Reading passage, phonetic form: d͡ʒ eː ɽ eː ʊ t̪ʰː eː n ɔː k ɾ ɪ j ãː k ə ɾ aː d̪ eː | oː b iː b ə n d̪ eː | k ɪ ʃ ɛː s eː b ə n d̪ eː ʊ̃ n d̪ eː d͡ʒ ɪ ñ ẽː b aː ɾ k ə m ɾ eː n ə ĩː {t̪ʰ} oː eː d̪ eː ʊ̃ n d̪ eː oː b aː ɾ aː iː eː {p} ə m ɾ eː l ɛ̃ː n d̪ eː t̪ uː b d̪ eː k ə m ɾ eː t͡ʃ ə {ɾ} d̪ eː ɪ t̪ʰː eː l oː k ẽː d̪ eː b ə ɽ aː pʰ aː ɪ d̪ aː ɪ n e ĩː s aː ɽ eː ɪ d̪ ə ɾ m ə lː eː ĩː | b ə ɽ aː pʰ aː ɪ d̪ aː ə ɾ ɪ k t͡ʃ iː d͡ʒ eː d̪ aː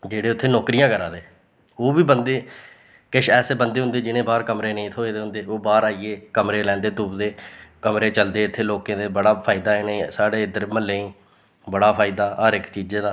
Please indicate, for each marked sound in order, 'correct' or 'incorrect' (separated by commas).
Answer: correct, incorrect, incorrect